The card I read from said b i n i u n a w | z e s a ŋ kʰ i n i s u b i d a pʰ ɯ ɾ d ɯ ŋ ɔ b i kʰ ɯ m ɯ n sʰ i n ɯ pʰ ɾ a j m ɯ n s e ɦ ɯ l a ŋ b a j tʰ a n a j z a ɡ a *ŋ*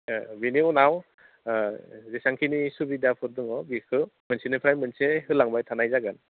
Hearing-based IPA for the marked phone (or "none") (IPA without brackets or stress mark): n